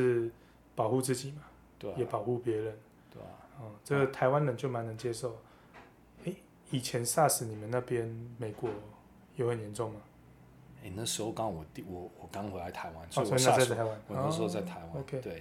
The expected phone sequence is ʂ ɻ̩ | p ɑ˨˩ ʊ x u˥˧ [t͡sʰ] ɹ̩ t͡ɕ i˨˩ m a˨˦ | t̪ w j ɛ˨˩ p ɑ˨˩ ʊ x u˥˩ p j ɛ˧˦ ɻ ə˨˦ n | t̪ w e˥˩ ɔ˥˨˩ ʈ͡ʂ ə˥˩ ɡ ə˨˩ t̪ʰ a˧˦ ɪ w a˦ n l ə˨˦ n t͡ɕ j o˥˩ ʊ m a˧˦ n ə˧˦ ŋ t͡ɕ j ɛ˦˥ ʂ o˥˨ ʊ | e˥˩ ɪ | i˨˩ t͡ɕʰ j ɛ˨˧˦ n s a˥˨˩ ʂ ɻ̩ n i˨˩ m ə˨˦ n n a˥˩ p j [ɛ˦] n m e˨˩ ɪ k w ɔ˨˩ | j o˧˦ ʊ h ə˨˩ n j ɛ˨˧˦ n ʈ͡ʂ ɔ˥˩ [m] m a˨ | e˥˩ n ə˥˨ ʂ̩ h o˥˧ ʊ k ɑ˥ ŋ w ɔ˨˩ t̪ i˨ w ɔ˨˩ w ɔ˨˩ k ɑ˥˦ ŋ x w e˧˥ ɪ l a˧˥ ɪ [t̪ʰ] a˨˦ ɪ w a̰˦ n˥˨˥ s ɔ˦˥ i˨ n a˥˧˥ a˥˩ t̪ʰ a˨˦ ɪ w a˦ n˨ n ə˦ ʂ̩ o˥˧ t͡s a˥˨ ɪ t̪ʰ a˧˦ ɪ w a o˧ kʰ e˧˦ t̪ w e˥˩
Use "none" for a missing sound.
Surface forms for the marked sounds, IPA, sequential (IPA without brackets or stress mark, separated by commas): t͡s, ɛ˦, ŋ, t̪ʰ